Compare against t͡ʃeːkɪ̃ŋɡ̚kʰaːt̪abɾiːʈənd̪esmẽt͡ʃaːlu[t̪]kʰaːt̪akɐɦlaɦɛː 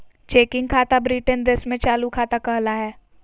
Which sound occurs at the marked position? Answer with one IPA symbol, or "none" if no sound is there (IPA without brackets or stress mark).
none